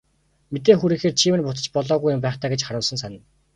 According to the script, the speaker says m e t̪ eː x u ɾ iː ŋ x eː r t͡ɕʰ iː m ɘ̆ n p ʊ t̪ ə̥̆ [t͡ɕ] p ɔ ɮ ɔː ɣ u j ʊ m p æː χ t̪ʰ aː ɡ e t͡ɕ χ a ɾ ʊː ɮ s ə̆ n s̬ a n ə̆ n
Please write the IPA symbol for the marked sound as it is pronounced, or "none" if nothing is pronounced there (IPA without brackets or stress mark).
t͡ɕ